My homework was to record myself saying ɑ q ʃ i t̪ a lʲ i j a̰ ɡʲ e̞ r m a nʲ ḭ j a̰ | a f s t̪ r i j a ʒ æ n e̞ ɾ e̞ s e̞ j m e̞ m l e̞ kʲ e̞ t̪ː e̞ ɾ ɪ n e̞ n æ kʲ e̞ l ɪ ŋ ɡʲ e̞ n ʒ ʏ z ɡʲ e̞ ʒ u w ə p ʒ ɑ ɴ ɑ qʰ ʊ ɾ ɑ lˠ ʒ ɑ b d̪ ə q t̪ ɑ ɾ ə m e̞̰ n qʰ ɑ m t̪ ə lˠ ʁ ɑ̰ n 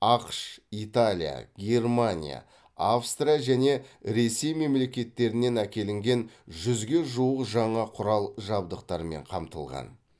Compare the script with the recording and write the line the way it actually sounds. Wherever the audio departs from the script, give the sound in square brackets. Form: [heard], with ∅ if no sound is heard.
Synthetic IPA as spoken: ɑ q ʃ i t̪ a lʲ i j a̰ ɡʲ e̞ r m a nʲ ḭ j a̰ | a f s t̪ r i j a ʒ æ n e̞ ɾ e̞ s e̞ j m e̞ m l e̞ kʲ e̞ t̪ː e̞ ɾ ɪ n e̞ n æ kʲ e̞ l ɪ ŋ ɡʲ e̞ n ʒ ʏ z ɡʲ e̞ ʒ u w ə [q] ʒ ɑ ɴ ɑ qʰ ʊ ɾ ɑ lˠ ʒ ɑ b d̪ ə q t̪ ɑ ɾ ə m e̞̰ [ɴ] qʰ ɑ m t̪ ə lˠ ʁ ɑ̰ n